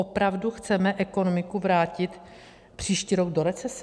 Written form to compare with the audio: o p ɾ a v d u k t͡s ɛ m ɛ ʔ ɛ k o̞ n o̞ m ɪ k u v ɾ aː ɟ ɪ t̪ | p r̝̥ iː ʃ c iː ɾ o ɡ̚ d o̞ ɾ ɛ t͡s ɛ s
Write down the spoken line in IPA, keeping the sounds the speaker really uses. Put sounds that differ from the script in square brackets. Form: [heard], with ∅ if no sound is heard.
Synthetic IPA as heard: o p ɾ a v d u [x] t͡s ɛ m ɛ ʔ ɛ k o̞ n o̞ m ɪ k u v ɾ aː [c] ɪ t̪ | p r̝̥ iː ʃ c iː ɾ o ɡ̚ d o̞ ɾ ɛ t͡s ɛ s